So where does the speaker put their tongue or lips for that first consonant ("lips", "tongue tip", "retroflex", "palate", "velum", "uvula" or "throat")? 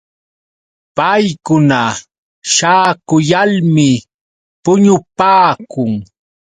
lips